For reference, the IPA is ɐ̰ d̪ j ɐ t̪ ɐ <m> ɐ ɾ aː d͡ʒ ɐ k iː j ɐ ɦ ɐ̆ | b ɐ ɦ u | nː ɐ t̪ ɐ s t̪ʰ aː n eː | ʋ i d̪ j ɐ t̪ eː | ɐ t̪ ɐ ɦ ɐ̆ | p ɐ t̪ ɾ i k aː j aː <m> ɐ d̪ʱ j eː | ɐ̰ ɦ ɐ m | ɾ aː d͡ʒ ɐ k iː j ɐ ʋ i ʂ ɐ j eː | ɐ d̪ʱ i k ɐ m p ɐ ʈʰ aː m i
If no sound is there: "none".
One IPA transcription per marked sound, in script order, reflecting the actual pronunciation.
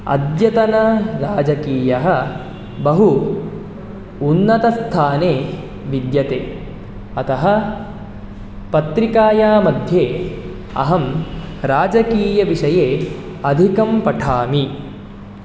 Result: n, m

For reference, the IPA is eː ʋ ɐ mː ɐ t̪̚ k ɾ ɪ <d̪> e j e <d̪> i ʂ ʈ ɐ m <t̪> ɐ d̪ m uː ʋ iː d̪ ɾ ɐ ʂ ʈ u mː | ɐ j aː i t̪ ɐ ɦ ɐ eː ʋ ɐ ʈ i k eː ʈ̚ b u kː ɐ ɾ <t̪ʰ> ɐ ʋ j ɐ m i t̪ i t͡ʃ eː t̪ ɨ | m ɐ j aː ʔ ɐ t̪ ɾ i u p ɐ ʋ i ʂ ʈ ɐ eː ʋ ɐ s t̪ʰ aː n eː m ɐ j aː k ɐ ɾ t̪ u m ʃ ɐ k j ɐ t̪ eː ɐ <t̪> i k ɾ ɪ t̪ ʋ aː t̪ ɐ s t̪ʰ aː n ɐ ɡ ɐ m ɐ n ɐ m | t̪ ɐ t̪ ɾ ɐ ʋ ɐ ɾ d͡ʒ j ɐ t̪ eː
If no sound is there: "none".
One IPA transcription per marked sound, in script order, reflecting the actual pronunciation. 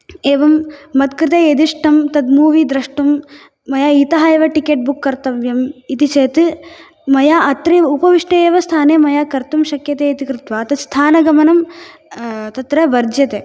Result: t̪, d̪, t̪, t̪, t̪

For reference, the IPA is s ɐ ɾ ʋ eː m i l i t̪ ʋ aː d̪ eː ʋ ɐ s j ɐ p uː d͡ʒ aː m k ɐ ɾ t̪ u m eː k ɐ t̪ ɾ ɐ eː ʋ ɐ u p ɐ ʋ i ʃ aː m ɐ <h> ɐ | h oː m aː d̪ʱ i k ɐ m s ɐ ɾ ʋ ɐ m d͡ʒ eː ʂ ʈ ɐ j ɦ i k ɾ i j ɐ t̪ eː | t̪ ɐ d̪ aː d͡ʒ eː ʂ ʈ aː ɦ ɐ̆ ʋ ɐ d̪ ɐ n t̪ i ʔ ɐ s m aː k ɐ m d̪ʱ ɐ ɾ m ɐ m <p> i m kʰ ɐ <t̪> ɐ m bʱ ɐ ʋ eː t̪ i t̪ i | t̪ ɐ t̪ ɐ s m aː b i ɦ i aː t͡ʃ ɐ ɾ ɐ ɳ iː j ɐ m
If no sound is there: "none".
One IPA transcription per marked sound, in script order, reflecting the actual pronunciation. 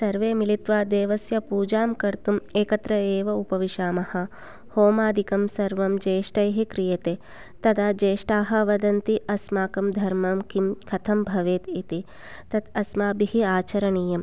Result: h, k, t̪ʰ

